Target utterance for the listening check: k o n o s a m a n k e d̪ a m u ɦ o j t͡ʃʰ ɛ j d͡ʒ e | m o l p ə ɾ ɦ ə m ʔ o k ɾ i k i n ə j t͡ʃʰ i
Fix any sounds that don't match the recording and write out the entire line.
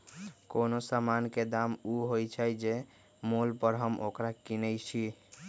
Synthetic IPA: k o n o s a m a n k e d̪ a m u ɦ o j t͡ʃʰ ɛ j d͡ʒ e | m o l p ə ɾ ɦ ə m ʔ o k ɾ a k i n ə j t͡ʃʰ i